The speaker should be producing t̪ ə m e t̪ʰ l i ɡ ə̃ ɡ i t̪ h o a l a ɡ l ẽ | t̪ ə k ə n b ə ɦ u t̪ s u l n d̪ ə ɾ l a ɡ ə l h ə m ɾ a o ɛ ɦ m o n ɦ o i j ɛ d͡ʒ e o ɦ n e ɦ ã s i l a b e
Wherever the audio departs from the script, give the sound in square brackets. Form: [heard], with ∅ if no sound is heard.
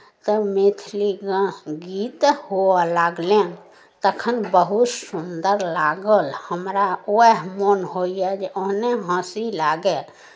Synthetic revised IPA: t̪ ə m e t̪ʰ l i ɡ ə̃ ɡ i t̪ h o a l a ɡ l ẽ | t̪ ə [kʰ] ə n b ə ɦ u t̪ s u [∅] n d̪ ə ɾ l a ɡ ə l h ə m ɾ a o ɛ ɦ m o n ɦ o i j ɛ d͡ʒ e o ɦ n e ɦ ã s i l a [ɡ] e